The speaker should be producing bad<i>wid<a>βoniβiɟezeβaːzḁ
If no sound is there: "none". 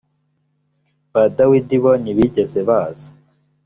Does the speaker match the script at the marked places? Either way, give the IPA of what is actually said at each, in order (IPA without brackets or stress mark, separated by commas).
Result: a, i